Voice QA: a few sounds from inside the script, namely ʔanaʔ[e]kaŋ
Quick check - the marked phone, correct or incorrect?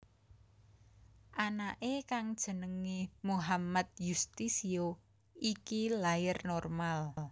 correct